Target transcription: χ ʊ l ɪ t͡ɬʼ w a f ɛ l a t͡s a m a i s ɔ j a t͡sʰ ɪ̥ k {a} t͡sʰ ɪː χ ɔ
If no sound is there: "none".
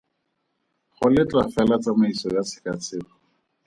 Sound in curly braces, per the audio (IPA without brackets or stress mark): a